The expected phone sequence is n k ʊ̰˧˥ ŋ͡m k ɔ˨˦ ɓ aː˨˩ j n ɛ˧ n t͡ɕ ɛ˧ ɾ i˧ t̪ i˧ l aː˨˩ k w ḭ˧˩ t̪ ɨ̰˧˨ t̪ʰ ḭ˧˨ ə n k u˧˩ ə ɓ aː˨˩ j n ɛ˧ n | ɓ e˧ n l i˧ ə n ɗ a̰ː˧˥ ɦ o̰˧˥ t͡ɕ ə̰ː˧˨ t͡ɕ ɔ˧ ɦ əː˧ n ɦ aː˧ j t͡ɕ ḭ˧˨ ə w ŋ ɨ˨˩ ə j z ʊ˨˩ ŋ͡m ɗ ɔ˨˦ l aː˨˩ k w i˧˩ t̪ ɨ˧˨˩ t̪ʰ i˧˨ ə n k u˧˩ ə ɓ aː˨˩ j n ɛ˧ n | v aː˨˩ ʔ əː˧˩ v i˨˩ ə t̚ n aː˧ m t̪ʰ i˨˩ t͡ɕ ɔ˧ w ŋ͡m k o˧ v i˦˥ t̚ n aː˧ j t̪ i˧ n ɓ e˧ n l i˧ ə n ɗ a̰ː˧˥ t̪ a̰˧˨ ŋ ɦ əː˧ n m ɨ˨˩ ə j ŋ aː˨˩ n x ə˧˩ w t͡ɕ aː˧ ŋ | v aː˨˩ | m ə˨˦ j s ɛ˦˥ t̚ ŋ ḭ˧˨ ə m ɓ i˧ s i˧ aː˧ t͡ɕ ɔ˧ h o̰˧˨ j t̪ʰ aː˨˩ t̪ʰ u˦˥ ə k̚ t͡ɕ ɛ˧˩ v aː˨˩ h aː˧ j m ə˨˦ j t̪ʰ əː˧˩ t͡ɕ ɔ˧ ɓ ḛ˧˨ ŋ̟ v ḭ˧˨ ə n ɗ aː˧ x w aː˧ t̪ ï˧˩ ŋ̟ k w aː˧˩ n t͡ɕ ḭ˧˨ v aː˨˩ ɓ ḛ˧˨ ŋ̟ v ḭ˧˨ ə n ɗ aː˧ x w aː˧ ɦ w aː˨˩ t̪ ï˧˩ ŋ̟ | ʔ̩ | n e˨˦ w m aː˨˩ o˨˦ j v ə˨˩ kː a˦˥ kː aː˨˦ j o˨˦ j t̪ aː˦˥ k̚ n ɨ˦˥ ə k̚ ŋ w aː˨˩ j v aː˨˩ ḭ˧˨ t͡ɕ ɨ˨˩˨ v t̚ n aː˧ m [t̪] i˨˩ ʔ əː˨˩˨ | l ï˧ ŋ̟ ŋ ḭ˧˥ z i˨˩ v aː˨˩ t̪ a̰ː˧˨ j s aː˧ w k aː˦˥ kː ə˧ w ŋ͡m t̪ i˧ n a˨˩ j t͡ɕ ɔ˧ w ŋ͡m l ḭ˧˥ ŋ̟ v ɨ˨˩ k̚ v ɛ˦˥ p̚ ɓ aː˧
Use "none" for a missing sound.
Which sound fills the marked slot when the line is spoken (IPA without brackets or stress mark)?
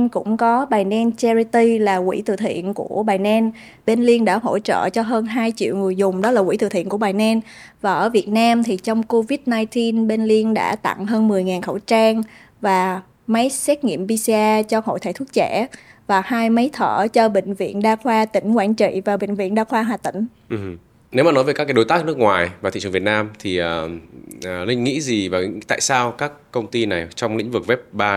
t̪ʰ